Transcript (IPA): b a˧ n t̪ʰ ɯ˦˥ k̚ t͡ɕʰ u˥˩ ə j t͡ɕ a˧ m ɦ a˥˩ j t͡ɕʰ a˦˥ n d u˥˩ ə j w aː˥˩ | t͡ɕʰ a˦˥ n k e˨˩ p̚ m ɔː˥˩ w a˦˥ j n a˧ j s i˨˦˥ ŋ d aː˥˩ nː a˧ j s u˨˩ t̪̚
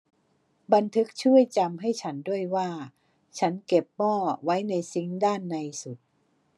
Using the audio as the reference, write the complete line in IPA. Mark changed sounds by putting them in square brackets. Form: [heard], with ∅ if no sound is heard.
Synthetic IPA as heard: b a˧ n t̪ʰ ɯ˦˥ k̚ t͡ɕʰ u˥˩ ə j t͡ɕ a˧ m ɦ a˥˩ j t͡ɕʰ a˦˥ n d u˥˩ ə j w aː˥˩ | t͡ɕʰ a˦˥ n k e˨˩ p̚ m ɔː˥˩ w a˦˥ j n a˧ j s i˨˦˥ ŋ d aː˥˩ nː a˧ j s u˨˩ t̪̚